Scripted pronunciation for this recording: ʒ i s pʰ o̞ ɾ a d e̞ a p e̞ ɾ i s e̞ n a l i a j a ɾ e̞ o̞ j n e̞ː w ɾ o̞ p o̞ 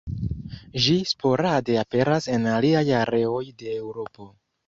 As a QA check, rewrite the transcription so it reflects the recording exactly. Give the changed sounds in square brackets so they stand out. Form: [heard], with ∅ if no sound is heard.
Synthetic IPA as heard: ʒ i s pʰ o̞ ɾ a d e̞ a p e̞ ɾ [a] s e̞ n a l i a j a ɾ e̞ o̞ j [d] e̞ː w ɾ o̞ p o̞